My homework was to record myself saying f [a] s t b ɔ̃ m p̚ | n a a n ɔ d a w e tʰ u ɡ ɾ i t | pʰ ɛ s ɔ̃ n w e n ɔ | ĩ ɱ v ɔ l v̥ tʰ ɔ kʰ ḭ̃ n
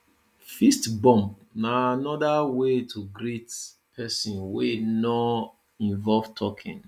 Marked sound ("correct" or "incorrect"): incorrect